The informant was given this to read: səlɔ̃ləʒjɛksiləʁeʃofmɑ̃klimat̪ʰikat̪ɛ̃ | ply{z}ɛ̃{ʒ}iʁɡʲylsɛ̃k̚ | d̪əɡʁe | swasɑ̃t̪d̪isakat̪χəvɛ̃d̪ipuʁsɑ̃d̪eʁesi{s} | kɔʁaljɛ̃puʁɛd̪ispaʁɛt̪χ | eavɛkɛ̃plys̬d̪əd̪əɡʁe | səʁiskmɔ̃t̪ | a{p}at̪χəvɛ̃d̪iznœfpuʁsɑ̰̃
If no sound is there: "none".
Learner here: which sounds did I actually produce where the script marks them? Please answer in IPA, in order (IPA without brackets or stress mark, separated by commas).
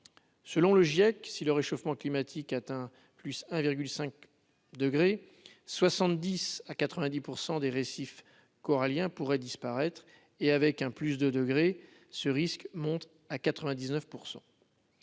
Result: s, v, f, k